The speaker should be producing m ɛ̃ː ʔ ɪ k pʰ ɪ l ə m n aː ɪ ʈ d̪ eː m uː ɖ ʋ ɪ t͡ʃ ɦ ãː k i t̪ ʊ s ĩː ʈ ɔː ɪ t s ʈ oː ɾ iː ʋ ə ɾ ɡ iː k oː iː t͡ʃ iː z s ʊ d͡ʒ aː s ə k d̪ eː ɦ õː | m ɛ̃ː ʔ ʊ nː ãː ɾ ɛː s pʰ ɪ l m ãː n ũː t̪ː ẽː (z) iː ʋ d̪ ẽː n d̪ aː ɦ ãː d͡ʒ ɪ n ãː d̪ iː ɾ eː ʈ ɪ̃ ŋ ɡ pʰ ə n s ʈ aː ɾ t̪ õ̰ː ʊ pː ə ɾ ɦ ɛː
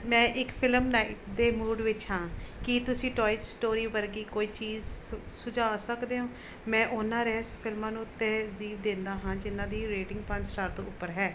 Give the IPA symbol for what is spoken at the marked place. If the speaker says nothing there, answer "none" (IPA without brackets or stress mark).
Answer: z